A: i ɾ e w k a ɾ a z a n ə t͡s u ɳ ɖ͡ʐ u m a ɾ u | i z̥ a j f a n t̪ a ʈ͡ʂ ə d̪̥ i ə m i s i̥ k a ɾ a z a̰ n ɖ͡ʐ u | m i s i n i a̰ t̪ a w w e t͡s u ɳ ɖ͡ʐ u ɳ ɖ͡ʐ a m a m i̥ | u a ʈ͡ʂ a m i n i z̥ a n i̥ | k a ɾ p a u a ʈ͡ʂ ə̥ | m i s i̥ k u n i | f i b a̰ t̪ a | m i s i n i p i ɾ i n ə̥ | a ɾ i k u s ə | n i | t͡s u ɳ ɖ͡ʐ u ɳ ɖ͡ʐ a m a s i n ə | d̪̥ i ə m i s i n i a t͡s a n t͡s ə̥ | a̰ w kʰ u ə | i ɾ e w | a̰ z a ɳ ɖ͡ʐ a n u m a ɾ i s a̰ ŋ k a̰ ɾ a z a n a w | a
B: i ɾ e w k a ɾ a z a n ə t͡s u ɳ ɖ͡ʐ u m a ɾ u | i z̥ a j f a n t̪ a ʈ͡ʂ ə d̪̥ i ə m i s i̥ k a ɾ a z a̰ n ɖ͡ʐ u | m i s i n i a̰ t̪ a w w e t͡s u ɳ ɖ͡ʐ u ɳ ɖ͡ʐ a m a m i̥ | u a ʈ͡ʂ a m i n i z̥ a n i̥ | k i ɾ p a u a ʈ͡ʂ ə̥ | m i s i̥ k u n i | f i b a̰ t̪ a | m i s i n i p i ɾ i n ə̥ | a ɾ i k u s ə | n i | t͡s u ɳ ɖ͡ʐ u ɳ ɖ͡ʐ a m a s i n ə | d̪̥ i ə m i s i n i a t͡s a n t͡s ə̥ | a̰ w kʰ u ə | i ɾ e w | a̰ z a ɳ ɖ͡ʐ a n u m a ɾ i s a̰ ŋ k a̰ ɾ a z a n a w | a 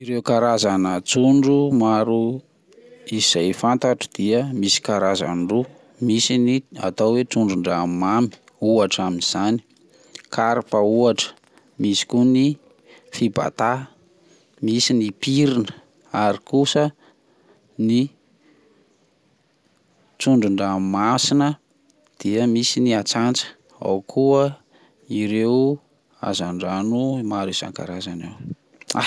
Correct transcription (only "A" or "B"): A